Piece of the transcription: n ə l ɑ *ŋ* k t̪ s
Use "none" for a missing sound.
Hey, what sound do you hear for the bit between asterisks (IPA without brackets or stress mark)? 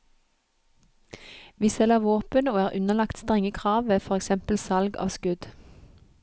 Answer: none